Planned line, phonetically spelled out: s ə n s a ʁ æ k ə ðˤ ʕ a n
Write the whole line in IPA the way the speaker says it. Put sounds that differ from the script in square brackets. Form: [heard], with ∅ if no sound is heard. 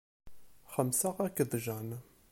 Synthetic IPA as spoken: [χ] ə [m] s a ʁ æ k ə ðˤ [ʒ] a n